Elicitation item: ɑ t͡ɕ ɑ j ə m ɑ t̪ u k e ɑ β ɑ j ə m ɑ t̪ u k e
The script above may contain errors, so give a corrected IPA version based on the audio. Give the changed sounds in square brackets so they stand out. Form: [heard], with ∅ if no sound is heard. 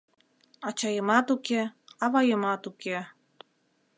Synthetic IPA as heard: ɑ t͡ɕ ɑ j ə m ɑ t̪ u k e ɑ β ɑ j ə m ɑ t̪ u k e